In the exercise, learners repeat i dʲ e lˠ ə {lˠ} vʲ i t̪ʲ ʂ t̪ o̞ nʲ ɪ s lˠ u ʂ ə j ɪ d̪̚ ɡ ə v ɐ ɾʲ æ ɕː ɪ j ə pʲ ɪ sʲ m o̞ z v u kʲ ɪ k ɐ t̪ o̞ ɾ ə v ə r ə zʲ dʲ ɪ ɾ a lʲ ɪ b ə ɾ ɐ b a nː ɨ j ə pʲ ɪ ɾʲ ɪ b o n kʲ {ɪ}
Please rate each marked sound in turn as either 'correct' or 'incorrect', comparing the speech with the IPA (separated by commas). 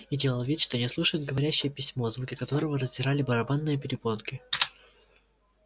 correct, correct